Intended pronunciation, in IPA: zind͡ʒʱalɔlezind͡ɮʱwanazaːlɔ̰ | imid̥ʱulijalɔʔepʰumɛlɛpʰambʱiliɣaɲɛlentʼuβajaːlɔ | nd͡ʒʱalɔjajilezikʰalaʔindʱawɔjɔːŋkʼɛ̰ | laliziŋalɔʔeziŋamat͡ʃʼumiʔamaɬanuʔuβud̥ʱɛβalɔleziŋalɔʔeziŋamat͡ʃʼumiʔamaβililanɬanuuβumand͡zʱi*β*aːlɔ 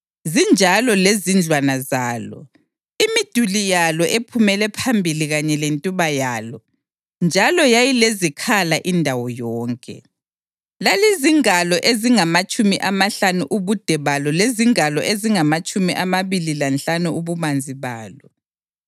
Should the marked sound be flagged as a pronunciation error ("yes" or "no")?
no